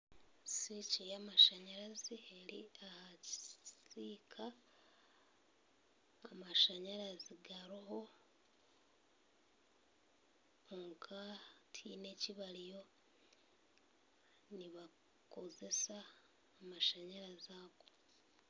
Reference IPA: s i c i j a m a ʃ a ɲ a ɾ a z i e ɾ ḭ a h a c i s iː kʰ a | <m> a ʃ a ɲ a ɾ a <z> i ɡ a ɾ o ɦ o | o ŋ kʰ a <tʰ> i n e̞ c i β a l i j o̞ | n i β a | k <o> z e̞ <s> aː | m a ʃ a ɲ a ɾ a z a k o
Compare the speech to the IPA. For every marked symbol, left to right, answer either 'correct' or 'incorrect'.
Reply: correct, correct, correct, correct, correct

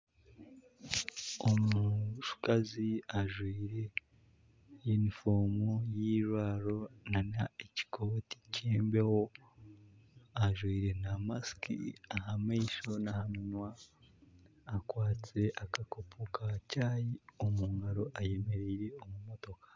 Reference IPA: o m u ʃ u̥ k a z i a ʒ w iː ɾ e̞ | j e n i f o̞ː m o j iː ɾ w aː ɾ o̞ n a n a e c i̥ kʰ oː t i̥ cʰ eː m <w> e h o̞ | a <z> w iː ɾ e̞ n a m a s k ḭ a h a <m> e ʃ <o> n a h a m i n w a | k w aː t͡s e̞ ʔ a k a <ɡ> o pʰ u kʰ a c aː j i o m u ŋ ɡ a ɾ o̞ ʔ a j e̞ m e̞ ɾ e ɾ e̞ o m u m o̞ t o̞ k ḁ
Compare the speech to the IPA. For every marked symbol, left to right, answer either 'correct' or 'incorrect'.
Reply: incorrect, incorrect, correct, correct, incorrect

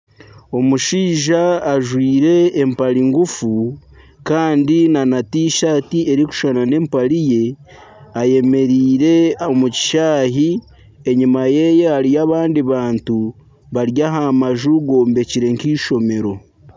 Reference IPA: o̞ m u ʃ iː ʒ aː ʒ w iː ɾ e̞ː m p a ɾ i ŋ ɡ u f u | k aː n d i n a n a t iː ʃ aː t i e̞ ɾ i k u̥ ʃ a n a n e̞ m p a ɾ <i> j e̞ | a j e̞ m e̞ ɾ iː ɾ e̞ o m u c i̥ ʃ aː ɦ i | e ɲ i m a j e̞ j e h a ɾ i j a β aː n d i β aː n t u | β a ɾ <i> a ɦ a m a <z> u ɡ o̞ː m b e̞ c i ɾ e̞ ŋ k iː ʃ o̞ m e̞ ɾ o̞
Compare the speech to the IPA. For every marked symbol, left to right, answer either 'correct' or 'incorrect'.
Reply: correct, incorrect, incorrect

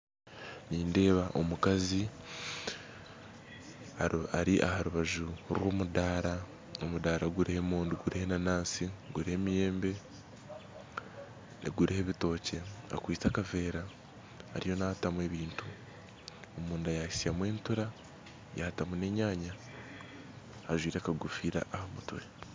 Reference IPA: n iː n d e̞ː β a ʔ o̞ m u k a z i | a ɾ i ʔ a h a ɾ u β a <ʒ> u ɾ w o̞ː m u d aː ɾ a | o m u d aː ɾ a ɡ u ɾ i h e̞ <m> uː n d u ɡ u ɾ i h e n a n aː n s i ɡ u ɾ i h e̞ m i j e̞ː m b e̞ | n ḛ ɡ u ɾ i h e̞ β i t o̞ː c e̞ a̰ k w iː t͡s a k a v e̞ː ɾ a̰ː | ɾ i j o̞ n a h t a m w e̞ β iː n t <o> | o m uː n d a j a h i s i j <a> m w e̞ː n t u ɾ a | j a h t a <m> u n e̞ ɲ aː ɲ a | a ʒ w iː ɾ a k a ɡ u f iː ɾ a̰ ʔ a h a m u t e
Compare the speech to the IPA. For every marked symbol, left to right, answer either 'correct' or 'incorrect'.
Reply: correct, correct, incorrect, correct, correct

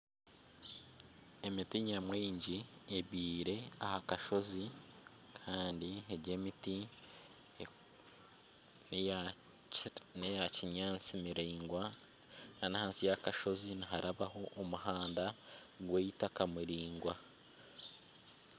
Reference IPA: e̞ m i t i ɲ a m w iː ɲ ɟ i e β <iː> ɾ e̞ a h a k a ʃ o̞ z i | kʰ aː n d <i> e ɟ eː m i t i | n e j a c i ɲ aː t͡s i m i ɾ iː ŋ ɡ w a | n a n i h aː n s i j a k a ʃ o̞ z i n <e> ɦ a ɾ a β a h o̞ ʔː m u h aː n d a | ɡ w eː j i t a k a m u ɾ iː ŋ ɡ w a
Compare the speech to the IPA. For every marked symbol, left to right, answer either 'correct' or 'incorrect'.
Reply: correct, correct, incorrect

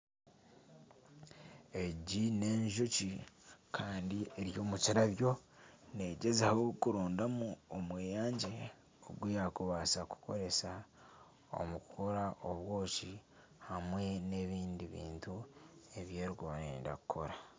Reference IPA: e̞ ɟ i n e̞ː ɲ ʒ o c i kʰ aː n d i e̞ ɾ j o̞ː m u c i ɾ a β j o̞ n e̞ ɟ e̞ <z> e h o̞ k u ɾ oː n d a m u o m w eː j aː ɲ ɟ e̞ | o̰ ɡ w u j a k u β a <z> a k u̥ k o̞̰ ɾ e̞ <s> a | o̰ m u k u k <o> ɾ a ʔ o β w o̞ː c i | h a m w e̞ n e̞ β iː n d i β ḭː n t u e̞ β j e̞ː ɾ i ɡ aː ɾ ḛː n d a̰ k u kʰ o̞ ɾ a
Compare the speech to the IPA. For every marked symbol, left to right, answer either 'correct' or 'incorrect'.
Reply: correct, incorrect, correct, correct

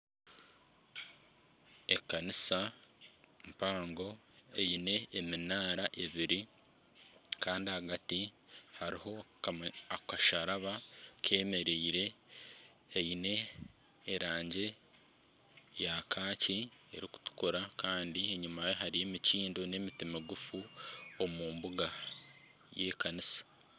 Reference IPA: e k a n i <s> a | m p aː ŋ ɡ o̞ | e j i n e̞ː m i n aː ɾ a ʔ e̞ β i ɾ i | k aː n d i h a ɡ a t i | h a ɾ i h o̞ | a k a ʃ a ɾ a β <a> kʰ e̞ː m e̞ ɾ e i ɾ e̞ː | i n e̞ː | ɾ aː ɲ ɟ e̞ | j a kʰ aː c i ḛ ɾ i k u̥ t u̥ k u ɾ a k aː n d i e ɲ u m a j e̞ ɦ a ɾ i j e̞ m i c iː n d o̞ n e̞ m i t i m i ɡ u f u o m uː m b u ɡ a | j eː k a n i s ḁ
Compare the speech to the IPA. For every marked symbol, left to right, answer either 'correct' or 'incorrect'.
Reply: correct, correct

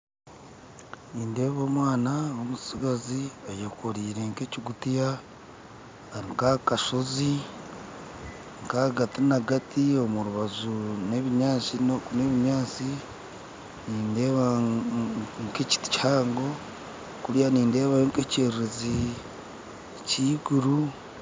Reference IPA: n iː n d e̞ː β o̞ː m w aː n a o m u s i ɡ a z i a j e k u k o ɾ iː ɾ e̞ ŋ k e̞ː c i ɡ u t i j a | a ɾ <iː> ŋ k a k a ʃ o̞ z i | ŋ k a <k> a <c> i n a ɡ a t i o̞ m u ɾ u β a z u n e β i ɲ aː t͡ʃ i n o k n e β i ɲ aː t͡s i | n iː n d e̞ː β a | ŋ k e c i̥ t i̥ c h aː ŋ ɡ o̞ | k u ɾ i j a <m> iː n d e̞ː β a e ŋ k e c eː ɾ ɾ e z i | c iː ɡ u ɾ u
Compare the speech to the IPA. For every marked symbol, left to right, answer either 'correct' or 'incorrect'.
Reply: incorrect, incorrect, incorrect, incorrect

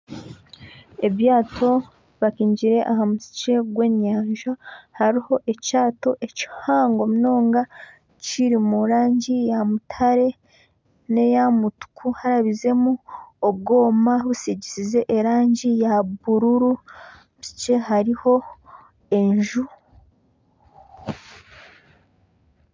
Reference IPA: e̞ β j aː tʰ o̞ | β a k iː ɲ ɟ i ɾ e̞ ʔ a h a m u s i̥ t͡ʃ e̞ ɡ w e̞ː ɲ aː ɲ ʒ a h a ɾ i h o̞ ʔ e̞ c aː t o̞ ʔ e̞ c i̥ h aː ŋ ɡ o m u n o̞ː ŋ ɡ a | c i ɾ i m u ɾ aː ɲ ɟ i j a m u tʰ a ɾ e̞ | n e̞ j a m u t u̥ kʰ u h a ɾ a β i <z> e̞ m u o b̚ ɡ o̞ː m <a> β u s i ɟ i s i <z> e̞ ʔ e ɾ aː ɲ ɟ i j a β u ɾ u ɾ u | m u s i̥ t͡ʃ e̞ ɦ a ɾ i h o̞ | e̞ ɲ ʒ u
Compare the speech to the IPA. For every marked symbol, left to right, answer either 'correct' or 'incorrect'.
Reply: correct, correct, correct

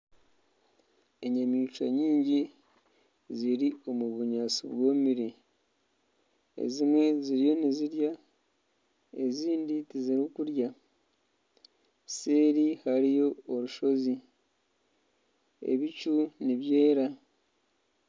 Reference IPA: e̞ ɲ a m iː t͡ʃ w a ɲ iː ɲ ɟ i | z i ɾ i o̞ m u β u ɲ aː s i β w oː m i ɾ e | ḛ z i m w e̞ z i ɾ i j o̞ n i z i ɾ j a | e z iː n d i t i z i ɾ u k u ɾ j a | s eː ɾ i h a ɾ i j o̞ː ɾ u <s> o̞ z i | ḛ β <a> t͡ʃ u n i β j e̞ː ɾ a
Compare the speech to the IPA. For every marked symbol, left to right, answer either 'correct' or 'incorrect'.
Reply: incorrect, incorrect

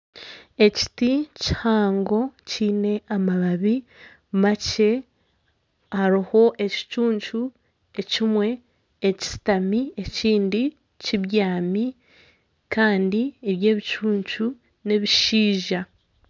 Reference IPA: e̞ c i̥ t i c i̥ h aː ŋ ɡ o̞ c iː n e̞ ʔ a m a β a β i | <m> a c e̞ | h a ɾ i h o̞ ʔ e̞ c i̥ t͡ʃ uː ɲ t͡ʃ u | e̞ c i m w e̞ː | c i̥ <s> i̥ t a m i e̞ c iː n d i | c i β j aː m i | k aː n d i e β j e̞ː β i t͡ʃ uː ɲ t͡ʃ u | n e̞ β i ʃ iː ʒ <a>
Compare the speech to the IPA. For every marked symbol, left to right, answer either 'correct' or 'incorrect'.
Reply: correct, correct, correct

